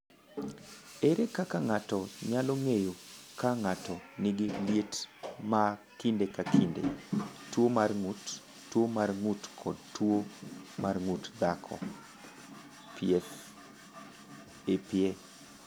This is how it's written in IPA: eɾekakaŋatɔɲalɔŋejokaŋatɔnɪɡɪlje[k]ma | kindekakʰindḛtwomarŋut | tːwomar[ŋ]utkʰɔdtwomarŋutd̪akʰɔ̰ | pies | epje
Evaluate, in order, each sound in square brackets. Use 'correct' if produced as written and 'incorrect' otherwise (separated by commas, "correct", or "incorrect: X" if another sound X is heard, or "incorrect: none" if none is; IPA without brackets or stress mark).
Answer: incorrect: t, correct